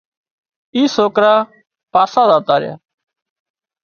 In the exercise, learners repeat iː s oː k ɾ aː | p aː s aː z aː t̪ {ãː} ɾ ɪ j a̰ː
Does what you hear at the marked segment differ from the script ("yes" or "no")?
yes